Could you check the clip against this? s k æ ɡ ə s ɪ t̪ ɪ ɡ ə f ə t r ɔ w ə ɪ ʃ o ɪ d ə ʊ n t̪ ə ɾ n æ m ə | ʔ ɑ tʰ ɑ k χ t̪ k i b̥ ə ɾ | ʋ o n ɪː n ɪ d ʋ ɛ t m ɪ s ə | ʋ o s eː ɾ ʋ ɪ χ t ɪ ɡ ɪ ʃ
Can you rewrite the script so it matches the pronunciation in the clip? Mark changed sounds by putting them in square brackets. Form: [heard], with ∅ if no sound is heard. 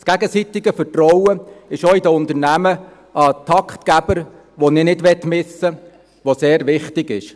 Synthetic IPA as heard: s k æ ɡ ə s [i] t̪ ɪ ɡ ə f ə t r ɔ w ə ɪ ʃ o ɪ d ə ʊ n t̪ ə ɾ n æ m ə | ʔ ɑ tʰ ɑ k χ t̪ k [æ] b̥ ə ɾ | ʋ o n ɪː n ɪ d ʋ ɛ t m ɪ s ə | ʋ o s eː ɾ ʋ ɪ χ t ɪ ɡ ɪ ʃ

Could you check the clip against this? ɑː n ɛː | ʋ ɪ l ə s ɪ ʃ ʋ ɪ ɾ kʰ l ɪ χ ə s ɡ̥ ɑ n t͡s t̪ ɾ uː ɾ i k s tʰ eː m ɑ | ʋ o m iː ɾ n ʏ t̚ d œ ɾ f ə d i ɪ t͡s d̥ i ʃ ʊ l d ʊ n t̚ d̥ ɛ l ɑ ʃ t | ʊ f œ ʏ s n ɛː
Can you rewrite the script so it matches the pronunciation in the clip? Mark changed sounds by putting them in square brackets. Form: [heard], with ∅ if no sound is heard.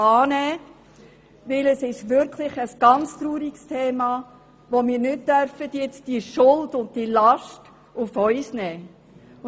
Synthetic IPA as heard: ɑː n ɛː | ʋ ɪ l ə s ɪ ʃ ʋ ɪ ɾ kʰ l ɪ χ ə s ɡ̥ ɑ n t͡s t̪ ɾ uː ɾ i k s tʰ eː m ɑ | ʋ o m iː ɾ n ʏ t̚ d œ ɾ f ə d [j] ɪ t͡s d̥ i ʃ ʊ l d ʊ n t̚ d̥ [i] l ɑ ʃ t | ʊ f œ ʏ s n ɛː

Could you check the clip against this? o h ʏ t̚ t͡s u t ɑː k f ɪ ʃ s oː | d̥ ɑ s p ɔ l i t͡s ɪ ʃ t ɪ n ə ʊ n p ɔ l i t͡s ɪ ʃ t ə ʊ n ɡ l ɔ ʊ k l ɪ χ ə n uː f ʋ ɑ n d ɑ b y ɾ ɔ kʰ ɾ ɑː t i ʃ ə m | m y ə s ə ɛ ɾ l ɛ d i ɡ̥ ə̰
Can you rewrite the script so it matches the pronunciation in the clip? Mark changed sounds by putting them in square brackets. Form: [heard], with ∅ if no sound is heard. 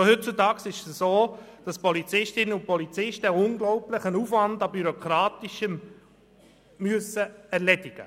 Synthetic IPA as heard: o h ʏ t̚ t͡s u t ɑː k [s] ɪ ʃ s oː | d̥ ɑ s p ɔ l i t͡s ɪ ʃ t ɪ n ə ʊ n p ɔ l i t͡s ɪ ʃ t ə ʊ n ɡ l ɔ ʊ [p] l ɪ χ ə n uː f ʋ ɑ n d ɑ b y ɾ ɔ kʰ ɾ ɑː t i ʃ ə m | m y ə s ə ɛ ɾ l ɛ d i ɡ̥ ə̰

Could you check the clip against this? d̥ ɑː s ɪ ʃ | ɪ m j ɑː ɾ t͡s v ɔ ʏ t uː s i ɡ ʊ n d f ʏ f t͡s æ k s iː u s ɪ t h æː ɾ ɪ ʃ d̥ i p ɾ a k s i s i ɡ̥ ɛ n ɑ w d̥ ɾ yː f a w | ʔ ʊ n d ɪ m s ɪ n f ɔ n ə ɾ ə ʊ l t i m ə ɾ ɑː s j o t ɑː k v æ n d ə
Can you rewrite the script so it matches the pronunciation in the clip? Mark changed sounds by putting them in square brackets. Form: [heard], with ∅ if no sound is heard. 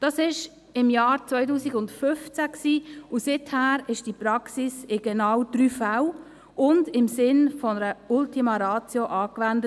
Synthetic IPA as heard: d̥ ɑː s ɪ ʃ | ɪ m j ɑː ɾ t͡s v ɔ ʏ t uː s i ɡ ʊ n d f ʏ f t͡s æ k s iː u s ɪ t h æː ɾ ɪ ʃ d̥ i p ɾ [ɑ] k s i s [ɪ] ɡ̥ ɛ n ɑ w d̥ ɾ yː f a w | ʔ ʊ n d ɪ m s ɪ n f ɔ n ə ɾ ə ʊ l t i m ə ɾ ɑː [t͡s] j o [ʔ] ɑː k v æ n d ə

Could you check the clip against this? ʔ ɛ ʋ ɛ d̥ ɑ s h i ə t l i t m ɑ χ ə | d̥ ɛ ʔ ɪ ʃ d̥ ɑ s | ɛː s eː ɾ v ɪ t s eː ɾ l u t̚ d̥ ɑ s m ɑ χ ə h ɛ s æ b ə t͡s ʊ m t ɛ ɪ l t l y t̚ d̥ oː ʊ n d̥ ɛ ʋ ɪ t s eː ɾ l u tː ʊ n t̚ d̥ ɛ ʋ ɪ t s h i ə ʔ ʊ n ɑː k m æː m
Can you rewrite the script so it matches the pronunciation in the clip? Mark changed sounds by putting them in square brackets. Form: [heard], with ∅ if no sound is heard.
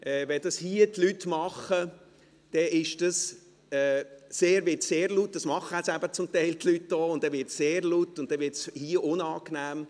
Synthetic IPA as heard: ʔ ɛ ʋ ɛ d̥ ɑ s h i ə t l [y] t m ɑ χ ə | d̥ ɛ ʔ ɪ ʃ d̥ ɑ s | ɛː s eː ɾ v ɪ t s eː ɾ l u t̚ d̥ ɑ s m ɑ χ ə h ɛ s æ b ə t͡s ʊ m t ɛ ɪ l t l y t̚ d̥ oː ʊ n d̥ ɛ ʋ ɪ t s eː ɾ l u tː ʊ n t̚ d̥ ɛ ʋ ɪ t s h i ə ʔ ʊ n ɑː k [n] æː m

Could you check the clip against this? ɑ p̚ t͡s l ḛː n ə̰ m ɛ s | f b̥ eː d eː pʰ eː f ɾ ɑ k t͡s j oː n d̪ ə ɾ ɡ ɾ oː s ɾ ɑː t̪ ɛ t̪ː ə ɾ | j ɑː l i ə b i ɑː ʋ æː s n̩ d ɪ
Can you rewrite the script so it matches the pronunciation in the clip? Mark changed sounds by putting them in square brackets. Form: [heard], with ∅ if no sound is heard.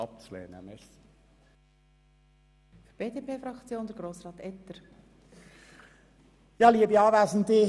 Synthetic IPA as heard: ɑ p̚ t͡s l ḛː n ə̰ m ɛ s | f b̥ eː d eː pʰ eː f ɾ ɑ k t͡s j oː n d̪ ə ɾ ɡ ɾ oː s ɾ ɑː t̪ ɛ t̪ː ə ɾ | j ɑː l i ə b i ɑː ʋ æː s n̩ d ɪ

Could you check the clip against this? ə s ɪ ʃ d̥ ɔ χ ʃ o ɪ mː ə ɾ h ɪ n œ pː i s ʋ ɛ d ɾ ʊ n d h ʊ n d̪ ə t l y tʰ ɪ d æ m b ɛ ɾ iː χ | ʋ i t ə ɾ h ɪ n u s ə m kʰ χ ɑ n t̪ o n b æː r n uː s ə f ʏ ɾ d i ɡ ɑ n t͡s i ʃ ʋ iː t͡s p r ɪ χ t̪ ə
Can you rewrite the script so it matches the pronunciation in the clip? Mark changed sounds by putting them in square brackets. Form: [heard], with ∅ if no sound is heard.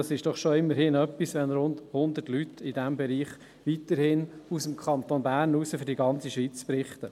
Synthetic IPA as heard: [ɑ] s ɪ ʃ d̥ ɔ χ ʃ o ɪ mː ə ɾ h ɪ n œ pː i s ʋ ɛ [n] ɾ ʊ n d h ʊ n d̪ ə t l y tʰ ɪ d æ m b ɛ ɾ iː χ | ʋ i t ə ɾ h ɪ n u s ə m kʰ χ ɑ n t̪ o n b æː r n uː s ə f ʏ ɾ d i ɡ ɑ n t͡s i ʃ ʋ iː t͡s p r ɪ χ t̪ ə

